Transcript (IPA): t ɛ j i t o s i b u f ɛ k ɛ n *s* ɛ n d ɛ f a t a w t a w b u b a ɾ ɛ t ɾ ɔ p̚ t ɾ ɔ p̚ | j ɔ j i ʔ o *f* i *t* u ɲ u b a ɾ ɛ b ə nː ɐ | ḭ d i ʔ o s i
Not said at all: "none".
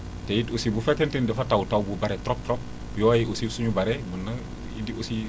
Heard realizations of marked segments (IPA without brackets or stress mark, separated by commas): t, s, s